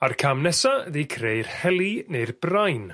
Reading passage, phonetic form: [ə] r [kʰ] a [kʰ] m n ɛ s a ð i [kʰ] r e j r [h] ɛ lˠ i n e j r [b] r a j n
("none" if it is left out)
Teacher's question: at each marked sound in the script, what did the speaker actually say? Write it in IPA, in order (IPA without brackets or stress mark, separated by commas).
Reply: a, kʰ, none, kʰ, h, b